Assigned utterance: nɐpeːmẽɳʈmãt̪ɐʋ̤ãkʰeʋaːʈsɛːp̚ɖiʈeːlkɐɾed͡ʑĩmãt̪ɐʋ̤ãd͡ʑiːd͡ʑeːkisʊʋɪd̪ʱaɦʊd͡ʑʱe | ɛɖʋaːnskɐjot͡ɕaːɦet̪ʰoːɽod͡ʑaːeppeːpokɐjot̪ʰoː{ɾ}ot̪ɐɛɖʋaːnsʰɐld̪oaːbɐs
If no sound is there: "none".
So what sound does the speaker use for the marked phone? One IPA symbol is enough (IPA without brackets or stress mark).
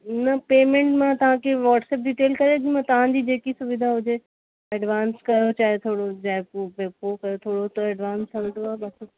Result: ɽ